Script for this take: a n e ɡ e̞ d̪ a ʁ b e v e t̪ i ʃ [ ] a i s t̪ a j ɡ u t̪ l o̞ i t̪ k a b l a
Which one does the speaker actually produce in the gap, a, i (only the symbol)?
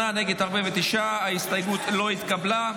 a